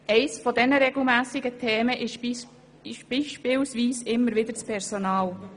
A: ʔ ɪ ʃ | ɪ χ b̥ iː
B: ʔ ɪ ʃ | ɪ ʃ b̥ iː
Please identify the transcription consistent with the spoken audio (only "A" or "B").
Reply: B